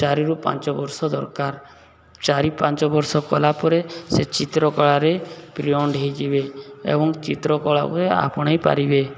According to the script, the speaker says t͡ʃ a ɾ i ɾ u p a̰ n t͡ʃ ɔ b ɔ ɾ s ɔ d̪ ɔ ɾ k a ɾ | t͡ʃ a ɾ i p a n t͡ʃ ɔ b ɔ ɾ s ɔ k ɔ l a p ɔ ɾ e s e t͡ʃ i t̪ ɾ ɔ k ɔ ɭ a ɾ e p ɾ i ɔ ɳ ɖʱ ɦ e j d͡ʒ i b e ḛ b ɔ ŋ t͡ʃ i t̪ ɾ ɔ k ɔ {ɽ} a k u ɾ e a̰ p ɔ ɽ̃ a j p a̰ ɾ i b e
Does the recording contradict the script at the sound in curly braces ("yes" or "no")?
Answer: yes